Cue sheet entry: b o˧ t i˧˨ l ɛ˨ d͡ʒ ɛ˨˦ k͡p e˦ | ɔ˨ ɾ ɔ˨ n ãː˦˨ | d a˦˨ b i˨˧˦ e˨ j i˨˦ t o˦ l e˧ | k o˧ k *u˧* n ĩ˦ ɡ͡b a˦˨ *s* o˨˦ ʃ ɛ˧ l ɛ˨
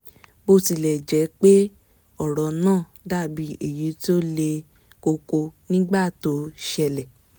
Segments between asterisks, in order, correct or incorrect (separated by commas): incorrect, incorrect